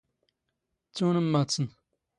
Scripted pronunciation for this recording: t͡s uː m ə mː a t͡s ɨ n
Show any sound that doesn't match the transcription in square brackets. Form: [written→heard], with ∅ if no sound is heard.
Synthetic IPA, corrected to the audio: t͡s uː [m→n] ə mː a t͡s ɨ n

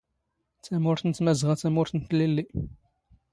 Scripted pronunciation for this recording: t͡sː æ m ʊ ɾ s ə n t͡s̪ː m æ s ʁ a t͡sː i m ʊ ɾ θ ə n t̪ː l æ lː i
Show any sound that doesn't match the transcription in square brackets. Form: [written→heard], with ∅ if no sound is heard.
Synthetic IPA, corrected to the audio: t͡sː æ m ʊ ɾ [s→θ] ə n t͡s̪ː m æ [s→z] ʁ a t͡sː [i→æ] m ʊ ɾ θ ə n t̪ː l [æ→i] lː i

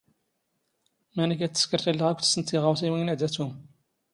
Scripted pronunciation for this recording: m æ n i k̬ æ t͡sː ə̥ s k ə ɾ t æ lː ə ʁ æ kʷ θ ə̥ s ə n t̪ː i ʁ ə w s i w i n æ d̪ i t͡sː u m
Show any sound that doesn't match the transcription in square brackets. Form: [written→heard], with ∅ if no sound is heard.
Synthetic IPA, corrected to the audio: m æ n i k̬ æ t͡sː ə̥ s k ə ɾ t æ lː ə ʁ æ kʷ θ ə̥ s ə n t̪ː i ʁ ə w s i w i n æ d̪ [i→æ] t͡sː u m

